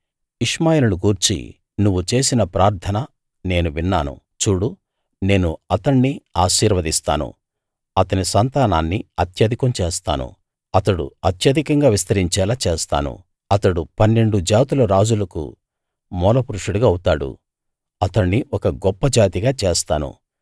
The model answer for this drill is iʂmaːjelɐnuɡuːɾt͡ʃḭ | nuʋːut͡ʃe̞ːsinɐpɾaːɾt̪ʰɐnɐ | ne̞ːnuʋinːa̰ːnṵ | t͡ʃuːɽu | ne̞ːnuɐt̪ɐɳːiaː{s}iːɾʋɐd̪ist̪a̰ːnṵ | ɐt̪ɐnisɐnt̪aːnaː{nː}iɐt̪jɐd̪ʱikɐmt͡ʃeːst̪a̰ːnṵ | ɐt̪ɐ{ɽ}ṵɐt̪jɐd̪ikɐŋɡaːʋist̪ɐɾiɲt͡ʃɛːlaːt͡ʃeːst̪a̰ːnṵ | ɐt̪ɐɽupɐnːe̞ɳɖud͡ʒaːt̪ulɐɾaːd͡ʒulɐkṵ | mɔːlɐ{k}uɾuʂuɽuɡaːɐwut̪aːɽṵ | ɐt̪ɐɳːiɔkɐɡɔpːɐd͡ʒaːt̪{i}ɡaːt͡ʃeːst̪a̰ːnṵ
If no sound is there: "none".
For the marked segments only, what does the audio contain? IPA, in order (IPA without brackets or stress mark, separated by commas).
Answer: ʃ, nː, ɽ, p, i